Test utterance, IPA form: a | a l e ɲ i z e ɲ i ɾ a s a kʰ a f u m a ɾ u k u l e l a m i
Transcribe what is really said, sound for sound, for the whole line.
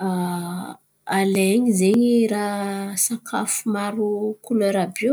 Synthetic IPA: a | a l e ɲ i z e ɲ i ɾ a s a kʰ a f u m a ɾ u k u l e ɾ a b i